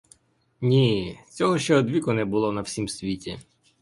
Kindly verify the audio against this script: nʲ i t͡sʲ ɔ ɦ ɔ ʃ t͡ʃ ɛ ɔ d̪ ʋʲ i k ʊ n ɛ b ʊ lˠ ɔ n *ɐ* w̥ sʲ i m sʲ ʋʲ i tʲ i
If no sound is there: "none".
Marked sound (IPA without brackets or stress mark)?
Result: ɐ